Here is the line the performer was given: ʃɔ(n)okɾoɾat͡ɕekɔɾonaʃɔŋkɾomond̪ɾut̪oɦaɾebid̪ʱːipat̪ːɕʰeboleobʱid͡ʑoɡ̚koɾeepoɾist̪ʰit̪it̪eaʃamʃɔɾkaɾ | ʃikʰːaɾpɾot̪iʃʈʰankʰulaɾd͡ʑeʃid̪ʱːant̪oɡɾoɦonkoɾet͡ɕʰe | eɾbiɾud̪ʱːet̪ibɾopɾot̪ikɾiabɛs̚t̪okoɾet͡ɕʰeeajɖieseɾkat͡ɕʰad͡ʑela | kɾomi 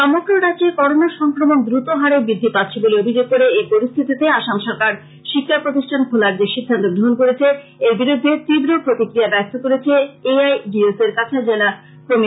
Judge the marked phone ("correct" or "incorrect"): incorrect